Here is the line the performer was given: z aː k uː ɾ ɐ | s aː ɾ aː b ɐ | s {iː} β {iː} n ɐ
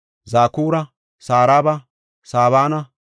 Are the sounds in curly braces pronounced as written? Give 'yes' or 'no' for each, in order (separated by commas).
no, no